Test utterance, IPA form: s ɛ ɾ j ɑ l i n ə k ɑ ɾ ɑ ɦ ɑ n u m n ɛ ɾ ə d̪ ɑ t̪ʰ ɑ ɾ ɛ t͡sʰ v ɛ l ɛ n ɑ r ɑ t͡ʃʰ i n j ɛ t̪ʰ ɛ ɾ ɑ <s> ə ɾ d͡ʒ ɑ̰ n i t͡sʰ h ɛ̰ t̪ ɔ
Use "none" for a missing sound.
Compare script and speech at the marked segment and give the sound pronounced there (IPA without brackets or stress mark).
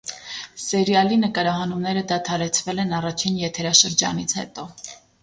ʃ